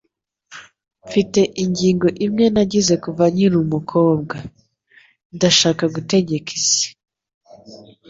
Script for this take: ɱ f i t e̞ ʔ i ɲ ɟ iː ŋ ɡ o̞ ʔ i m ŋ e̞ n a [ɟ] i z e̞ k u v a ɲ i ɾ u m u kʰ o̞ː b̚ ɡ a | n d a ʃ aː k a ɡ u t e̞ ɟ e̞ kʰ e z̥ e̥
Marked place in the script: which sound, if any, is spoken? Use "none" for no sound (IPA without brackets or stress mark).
ɟ